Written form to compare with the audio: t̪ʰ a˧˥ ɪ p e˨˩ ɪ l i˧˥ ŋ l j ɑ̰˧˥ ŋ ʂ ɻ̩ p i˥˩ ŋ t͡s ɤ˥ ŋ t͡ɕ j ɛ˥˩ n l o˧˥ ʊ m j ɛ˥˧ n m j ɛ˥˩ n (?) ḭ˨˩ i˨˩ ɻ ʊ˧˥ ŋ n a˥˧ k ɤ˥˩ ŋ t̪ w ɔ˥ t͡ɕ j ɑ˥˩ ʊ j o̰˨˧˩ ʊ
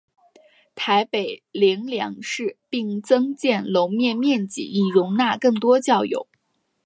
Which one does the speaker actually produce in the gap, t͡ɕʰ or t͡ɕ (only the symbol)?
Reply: t͡ɕ